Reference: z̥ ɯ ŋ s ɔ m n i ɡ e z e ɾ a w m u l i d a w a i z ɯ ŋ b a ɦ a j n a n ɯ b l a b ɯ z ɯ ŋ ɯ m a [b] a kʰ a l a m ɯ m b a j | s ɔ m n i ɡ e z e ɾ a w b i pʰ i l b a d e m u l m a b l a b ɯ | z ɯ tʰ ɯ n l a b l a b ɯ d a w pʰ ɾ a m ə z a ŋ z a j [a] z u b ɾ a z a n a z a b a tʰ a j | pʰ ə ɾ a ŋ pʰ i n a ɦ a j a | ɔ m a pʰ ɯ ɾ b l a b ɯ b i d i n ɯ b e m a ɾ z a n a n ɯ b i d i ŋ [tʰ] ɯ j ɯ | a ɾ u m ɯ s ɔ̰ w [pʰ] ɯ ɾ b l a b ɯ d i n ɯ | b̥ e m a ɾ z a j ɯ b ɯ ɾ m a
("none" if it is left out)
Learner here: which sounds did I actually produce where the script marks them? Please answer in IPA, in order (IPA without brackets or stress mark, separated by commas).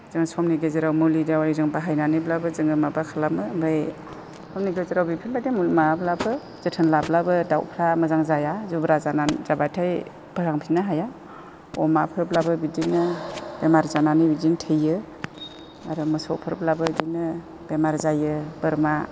b, a, tʰ, pʰ